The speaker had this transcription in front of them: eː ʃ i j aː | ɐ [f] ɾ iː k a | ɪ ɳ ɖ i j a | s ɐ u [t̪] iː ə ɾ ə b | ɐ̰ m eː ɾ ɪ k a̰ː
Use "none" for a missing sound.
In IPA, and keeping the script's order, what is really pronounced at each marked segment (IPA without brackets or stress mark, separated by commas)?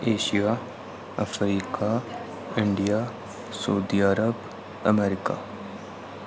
f, d̪